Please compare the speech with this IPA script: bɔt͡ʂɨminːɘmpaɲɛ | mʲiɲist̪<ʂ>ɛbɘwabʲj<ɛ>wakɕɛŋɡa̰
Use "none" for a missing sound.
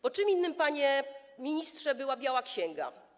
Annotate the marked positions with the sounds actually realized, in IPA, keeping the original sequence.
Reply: ʂ, a

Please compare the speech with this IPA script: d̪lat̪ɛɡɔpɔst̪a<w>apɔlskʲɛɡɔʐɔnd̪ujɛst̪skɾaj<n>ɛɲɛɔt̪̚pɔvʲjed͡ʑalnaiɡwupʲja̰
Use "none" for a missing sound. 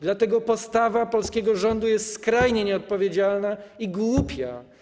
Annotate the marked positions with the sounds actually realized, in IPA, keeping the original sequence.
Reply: v, ɲ

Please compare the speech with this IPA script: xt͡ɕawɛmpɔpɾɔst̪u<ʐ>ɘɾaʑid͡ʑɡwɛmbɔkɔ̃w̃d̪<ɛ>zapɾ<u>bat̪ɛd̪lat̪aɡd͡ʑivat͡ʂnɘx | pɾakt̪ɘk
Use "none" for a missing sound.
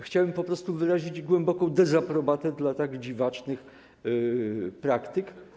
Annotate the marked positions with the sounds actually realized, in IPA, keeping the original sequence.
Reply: v, ɛ, ɔ

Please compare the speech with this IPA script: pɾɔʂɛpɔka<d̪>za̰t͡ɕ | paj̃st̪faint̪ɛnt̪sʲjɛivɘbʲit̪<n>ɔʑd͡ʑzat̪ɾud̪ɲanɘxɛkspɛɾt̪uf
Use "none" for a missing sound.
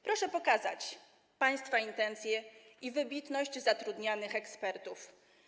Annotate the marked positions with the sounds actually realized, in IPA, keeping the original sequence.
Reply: none, n

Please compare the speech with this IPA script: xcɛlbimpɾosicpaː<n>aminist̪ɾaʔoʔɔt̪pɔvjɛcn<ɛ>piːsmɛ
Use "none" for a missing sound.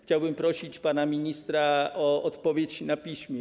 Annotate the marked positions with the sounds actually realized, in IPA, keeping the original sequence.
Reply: n, a

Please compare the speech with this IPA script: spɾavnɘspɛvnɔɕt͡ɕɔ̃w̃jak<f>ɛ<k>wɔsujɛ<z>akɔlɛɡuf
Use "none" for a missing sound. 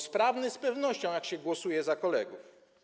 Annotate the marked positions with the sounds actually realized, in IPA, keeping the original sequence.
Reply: ɕ, ɡ, z

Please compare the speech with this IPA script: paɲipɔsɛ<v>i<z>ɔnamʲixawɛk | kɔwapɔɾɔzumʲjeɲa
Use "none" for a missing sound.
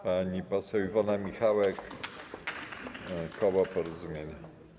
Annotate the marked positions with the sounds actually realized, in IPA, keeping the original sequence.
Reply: w, v

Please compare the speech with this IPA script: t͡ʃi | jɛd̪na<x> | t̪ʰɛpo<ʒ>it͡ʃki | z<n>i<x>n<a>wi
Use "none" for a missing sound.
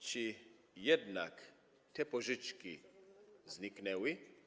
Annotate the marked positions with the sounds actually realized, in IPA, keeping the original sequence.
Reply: k, ʒ, n, k, ɛ

